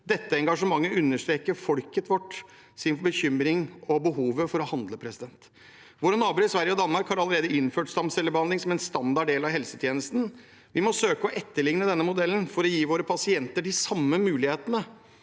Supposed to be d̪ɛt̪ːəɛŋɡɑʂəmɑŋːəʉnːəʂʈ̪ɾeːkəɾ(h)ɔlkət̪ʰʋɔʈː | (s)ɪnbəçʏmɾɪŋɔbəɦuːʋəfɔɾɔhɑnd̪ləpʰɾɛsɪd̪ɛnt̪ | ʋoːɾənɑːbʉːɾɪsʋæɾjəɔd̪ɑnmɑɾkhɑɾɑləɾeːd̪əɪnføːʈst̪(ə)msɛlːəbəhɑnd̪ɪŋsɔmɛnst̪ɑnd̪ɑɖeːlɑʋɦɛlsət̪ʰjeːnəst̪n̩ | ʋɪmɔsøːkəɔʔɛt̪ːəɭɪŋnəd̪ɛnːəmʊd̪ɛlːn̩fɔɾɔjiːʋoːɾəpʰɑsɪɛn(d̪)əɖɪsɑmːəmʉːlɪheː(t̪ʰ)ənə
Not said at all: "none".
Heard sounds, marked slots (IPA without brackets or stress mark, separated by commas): f, s, ɑ, t̪, t̪